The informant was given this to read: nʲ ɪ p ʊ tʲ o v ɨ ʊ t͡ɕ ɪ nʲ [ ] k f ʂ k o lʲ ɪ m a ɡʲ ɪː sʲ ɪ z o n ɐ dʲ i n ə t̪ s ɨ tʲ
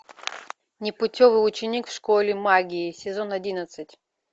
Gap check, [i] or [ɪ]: i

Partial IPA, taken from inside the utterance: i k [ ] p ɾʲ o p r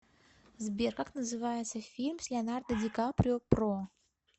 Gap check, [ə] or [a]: a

